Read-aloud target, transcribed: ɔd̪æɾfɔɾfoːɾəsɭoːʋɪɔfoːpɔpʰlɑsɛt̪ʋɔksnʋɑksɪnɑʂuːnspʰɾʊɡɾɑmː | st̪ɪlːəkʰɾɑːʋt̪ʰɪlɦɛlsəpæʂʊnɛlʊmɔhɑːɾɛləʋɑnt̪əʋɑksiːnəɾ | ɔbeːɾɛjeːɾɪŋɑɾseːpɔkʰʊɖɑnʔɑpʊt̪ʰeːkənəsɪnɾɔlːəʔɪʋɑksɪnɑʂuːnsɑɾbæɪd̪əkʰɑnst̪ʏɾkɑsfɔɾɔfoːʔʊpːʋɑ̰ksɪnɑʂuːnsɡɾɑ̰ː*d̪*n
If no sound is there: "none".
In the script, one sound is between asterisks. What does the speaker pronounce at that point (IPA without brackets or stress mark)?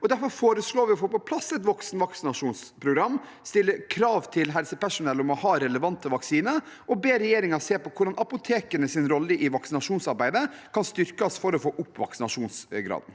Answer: d̪